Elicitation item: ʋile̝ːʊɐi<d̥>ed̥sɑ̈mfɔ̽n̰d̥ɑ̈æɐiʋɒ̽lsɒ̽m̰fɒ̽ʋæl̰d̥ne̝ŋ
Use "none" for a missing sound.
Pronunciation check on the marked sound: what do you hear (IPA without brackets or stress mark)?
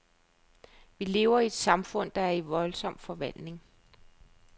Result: none